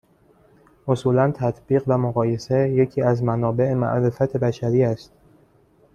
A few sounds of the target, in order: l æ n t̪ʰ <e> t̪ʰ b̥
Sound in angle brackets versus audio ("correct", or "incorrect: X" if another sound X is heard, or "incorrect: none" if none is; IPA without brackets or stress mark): incorrect: æ